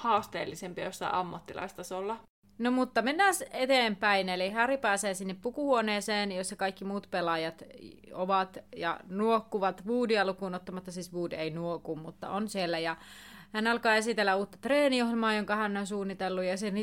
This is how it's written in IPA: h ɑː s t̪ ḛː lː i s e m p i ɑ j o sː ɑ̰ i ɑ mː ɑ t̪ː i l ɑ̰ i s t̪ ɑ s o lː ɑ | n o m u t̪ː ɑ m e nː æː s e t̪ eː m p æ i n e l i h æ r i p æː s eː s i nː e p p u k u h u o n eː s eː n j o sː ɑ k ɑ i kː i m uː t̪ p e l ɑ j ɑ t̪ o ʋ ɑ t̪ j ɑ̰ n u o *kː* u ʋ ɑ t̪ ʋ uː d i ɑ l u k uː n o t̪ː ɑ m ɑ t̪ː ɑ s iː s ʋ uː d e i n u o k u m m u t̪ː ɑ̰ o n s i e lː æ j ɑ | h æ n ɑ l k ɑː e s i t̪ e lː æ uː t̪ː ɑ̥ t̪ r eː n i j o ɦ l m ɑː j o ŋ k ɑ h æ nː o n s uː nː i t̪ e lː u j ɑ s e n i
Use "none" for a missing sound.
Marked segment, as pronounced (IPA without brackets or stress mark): kː